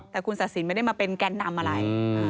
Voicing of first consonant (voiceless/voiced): voiceless